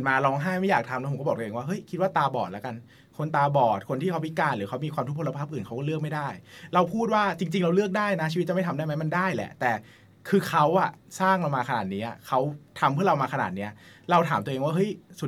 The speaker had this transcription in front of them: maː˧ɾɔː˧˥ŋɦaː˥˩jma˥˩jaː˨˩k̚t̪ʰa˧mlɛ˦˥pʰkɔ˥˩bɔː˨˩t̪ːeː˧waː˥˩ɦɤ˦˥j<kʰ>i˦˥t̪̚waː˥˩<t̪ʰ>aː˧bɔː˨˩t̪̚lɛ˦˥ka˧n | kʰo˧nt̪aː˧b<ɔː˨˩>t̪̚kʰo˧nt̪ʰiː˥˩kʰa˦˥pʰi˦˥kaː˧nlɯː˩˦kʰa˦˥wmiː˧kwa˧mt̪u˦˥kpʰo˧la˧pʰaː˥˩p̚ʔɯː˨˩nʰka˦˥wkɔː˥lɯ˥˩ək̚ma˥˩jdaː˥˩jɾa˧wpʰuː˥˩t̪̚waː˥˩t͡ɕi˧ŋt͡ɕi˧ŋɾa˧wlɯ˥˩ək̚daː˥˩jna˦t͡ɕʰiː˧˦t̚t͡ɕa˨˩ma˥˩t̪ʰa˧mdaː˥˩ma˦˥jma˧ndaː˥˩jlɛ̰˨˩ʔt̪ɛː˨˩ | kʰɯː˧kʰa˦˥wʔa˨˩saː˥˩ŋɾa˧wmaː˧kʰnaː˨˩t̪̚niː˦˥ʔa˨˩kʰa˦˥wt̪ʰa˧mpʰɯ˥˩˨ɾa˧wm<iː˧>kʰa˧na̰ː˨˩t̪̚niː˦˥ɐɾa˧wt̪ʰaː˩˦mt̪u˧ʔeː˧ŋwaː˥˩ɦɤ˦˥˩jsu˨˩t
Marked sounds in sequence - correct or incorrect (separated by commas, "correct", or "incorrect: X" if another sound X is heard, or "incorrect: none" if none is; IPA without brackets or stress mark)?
correct, incorrect: t̪, correct, incorrect: aː˧